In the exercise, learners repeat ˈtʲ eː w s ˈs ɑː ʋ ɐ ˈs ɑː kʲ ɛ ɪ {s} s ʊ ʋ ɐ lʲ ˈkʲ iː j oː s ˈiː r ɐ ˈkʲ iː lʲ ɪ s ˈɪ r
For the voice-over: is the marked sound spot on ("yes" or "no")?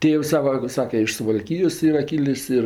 no